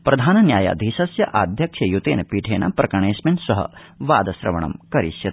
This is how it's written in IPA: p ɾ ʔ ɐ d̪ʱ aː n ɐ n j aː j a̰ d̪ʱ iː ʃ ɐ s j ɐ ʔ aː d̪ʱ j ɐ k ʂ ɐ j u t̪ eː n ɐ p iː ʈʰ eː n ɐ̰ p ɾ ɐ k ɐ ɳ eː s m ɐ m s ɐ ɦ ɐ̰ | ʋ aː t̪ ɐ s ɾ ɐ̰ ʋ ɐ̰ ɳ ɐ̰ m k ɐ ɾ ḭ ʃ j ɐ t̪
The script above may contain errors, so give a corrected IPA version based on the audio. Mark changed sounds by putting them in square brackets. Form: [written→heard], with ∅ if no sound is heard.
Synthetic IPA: p ɾ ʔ ɐ d̪ʱ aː n ɐ n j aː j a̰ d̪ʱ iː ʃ ɐ s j ɐ ʔ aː d̪ʱ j ɐ k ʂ ɐ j u t̪ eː n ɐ p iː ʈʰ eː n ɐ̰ p ɾ ɐ k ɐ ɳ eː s m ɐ [m→n] s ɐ ɦ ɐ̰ | ʋ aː [t̪→d̪] ɐ s ɾ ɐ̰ ʋ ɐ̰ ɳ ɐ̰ m k ɐ ɾ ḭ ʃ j ɐ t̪

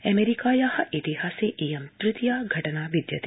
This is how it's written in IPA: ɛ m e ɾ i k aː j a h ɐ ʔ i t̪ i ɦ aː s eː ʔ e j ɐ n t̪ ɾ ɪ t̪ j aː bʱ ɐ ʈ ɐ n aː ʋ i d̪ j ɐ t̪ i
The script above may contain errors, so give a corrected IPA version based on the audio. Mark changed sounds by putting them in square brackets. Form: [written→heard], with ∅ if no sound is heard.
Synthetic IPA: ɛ m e ɾ i k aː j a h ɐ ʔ i t̪ i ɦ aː s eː ʔ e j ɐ [n→m] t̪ ɾ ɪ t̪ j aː [bʱ→ɡʱ] ɐ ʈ ɐ n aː ʋ i d̪ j ɐ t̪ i

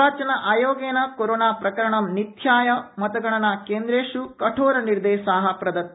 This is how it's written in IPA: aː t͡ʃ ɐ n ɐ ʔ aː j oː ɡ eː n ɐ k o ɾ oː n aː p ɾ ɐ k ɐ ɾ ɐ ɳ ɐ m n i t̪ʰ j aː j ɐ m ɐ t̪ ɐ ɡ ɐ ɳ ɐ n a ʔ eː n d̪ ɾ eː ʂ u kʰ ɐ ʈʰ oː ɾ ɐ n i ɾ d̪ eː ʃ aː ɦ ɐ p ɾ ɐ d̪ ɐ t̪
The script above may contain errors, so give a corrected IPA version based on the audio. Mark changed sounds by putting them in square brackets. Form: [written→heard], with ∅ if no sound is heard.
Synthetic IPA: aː t͡ʃ ɐ n ɐ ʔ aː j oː ɡ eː n ɐ k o ɾ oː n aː p ɾ ɐ k ɐ ɾ ɐ ɳ ɐ m n i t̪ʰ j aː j ɐ m ɐ t̪ ɐ ɡ ɐ ɳ ɐ n a [ʔ→k] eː n d̪ ɾ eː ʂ u [kʰ→k] ɐ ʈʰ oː ɾ ɐ n i ɾ d̪ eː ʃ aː ɦ ɐ p ɾ ɐ d̪ ɐ t̪

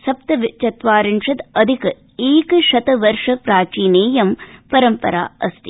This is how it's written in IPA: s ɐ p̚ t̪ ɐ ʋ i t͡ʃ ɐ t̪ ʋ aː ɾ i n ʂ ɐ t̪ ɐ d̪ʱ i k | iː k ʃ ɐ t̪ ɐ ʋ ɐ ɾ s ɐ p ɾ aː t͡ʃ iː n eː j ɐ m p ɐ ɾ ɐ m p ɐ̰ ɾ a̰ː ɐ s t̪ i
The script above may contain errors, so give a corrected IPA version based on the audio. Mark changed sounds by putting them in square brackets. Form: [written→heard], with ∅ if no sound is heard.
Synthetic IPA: s ɐ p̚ t̪ ɐ ʋ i t͡ʃ ɐ t̪ ʋ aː ɾ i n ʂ ɐ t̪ ɐ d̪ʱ i k | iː k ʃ ɐ t̪ ɐ ʋ ɐ ɾ [s→ʂ] ɐ p ɾ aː t͡ʃ iː n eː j ɐ m p ɐ ɾ ɐ m p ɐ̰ ɾ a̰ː ɐ s t̪ i

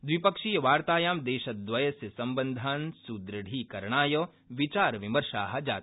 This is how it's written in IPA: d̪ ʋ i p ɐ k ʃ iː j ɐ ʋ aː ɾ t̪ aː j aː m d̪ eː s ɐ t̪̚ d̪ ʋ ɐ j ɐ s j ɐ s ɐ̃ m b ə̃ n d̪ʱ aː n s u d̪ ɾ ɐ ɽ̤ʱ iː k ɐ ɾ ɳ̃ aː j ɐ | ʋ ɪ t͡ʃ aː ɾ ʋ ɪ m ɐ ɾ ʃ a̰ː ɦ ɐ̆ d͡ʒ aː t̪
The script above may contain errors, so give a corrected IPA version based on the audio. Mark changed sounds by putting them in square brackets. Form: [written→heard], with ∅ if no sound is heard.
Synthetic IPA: d̪ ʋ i p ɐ k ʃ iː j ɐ ʋ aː ɾ t̪ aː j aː m d̪ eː [s→ʃ] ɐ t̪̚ d̪ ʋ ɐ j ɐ s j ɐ s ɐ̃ m b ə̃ n d̪ʱ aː n s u d̪ ɾ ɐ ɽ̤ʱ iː k ɐ ɾ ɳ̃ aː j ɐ | ʋ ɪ t͡ʃ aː ɾ ʋ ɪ m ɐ ɾ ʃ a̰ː ɦ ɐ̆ d͡ʒ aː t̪

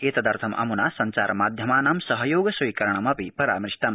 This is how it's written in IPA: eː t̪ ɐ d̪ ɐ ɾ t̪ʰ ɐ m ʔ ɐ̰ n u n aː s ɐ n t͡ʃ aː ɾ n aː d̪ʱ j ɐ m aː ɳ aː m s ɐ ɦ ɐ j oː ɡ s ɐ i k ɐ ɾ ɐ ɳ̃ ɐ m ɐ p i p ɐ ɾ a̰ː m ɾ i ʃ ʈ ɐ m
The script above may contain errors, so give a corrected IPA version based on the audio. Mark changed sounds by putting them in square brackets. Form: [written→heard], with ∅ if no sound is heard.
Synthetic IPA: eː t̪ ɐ d̪ ɐ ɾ t̪ʰ ɐ m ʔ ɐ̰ [n→m] u n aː s ɐ n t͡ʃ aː ɾ [n→m] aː d̪ʱ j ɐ m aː [ɳ→n] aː m s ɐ ɦ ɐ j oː ɡ s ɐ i k ɐ ɾ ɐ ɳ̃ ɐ m ɐ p i p ɐ ɾ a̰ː m ɾ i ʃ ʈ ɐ m

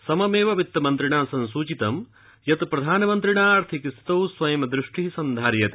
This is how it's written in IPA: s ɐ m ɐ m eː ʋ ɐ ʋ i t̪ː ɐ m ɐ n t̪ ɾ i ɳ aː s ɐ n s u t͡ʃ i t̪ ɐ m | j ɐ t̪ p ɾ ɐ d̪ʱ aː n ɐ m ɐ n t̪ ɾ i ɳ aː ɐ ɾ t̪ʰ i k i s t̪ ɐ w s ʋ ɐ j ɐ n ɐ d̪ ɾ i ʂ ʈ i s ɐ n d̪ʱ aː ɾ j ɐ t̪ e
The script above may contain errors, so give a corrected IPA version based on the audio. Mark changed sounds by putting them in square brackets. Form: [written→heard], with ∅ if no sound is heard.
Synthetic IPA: s ɐ m ɐ m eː ʋ ɐ ʋ i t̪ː ɐ m ɐ n t̪ ɾ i ɳ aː s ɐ n s [u→uː] t͡ʃ i t̪ ɐ m | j ɐ t̪ p ɾ ɐ d̪ʱ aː n ɐ m ɐ n t̪ ɾ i ɳ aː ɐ ɾ t̪ʰ i k i s t̪ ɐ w s ʋ ɐ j ɐ [n→m] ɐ d̪ ɾ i ʂ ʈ i s ɐ n d̪ʱ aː ɾ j ɐ t̪ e

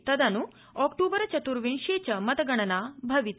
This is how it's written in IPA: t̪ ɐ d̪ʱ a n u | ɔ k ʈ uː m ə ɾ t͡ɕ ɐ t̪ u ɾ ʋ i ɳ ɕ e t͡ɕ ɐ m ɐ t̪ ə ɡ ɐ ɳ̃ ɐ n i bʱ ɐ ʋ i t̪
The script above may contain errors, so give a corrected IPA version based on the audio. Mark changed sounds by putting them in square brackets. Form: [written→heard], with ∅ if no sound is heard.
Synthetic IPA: t̪ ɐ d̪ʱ a n u | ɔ k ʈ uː [m→b] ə ɾ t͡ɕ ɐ t̪ u ɾ ʋ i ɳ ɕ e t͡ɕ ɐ m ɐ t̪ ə ɡ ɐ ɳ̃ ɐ n [i→a] bʱ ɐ ʋ i t̪

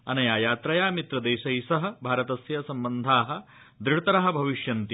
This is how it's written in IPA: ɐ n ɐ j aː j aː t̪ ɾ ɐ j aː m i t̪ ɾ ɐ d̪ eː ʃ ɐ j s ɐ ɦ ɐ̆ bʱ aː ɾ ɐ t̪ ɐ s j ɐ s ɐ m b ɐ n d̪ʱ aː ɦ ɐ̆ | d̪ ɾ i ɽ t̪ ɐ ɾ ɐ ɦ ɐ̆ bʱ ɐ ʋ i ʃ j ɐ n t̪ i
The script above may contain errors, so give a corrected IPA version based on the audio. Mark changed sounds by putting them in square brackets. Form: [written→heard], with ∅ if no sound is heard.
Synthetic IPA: ɐ n ɐ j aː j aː t̪ ɾ ɐ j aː m i t̪ ɾ ɐ d̪ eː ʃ ɐ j s ɐ ɦ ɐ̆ bʱ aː ɾ ɐ t̪ ɐ s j ɐ s ɐ m b ɐ n d̪ʱ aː ɦ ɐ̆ | d̪ ɾ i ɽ t̪ ɐ ɾ ɐ ɦ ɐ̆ bʱ ɐ ʋ i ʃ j ɐ n t̪ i

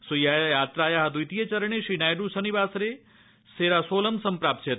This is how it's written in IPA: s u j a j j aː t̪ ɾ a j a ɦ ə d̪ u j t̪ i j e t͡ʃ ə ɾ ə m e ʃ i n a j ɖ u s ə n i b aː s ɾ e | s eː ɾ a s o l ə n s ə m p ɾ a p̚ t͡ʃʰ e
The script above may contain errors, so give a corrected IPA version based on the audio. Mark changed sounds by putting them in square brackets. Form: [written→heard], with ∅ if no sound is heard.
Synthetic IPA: s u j a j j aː t̪ ɾ a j a ɦ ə d̪ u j t̪ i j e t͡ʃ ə ɾ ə [m→ɳ] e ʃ i n a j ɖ u s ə n i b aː s ɾ e | s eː ɾ a s o l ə [n→m] s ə m p ɾ a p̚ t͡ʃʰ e

